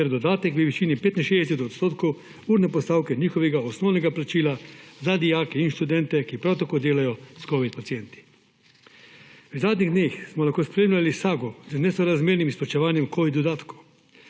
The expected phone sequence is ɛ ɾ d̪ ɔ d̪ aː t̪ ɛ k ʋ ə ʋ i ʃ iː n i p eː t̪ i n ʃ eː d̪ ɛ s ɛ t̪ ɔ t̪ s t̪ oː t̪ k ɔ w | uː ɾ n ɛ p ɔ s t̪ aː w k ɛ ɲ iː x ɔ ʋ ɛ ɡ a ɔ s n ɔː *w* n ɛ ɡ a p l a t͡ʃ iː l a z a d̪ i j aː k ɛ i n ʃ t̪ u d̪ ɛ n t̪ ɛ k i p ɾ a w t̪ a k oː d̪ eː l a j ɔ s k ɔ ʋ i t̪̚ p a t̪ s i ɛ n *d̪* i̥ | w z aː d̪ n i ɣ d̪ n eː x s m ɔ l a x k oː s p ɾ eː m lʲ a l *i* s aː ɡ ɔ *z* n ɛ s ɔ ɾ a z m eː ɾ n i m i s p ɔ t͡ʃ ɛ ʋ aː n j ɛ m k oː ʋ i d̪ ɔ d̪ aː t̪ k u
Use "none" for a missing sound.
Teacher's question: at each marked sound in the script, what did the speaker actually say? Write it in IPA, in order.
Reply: w, t̪, i, z

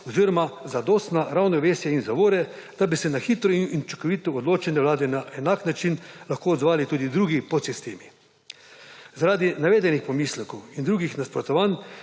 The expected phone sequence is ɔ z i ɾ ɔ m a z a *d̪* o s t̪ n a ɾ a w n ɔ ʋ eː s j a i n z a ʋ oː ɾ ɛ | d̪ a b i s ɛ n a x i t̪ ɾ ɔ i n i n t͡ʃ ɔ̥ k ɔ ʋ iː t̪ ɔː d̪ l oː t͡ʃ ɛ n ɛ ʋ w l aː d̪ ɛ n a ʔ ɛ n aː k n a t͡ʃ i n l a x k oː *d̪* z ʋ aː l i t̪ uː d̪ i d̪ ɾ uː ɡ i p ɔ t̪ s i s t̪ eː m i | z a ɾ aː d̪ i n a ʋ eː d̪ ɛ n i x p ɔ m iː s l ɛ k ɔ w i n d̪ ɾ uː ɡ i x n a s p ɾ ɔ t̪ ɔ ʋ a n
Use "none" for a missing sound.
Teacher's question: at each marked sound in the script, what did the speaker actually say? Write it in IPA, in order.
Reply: d̪, d̪

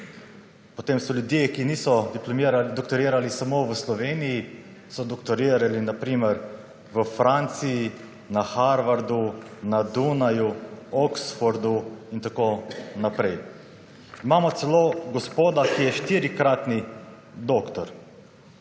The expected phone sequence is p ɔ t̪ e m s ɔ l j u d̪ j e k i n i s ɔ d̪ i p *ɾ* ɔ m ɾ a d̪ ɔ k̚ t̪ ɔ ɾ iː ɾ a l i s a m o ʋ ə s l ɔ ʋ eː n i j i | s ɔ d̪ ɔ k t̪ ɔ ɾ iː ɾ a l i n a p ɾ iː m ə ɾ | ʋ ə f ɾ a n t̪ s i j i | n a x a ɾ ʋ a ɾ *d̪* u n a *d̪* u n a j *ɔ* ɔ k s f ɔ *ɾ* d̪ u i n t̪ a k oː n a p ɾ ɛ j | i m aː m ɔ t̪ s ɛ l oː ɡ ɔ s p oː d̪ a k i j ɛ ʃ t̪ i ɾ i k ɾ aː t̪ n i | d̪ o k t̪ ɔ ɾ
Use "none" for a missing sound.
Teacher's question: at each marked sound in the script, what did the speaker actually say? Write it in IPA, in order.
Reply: l, d̪, d̪, u, ɾ

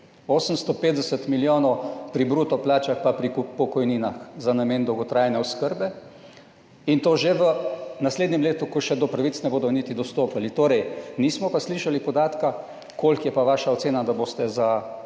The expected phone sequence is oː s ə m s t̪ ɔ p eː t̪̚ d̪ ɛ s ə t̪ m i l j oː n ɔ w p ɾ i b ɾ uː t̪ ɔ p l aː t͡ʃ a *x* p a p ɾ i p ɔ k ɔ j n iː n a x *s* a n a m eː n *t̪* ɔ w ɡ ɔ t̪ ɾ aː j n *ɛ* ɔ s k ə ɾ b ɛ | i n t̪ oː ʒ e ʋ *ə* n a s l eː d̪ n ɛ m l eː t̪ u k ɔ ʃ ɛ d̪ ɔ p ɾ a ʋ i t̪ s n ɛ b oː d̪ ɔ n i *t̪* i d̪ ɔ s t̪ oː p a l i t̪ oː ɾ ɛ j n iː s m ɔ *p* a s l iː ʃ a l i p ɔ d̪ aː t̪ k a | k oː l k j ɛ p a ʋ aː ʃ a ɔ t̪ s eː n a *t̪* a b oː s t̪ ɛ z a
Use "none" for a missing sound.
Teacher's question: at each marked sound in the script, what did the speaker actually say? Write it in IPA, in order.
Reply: x, z, d̪, ɛ, ə, t̪, p, d̪

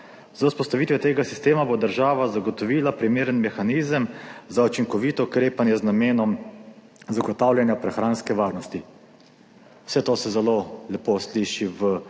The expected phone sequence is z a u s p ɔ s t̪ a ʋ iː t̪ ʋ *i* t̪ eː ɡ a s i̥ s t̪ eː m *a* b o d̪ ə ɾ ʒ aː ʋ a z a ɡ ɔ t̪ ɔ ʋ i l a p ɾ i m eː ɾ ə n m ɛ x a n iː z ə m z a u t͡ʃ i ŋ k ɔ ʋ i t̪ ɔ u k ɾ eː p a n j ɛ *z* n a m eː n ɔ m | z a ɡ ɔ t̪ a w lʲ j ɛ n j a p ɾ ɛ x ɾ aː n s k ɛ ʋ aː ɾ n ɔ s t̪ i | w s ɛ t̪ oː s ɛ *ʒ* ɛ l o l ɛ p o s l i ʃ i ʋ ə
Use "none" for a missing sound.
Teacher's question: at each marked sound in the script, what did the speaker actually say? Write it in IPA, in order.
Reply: ɛ, a, z, z

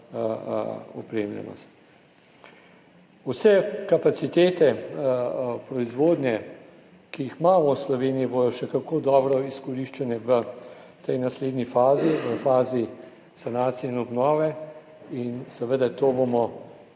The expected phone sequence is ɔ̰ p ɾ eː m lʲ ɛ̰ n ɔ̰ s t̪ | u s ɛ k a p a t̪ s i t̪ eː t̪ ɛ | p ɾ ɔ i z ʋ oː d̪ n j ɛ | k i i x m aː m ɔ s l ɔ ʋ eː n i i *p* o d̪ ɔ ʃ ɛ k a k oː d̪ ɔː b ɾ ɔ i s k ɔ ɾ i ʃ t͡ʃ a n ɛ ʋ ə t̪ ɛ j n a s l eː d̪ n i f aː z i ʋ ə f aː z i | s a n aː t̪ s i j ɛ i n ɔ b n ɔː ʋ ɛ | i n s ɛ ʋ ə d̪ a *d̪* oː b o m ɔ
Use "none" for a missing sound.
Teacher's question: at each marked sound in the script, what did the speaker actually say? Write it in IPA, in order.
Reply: b, t̪

